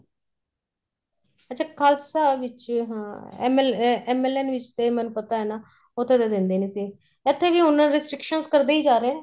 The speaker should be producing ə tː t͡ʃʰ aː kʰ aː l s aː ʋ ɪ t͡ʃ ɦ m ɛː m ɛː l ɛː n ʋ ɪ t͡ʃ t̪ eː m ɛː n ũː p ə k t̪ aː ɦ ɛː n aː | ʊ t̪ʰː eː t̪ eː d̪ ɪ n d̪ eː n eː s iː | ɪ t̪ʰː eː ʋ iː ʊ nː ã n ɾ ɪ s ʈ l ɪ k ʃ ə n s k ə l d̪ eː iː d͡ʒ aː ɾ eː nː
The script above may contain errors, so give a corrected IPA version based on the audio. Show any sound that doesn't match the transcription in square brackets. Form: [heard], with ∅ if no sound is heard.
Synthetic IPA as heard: ə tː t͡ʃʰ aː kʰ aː l s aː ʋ ɪ t͡ʃ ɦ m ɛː m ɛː l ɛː n ʋ ɪ t͡ʃ t̪ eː m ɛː n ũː p ə [∅] t̪ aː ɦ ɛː n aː | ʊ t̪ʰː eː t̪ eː d̪ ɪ n d̪ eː n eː s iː | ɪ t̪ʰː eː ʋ iː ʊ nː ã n ɾ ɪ s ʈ [ɾ] ɪ k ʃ ə n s k ə [ɾ] d̪ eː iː d͡ʒ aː ɾ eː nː